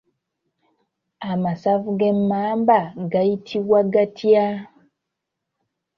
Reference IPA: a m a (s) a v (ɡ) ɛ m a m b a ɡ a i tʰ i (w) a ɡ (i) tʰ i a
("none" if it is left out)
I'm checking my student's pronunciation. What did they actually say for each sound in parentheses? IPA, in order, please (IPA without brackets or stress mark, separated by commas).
s, ɡ, w, a